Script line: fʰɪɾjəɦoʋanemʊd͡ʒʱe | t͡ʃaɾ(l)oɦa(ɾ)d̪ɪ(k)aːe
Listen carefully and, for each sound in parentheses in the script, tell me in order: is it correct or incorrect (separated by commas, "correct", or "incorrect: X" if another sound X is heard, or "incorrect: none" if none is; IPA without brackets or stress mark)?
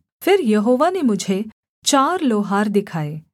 correct, correct, incorrect: kʰ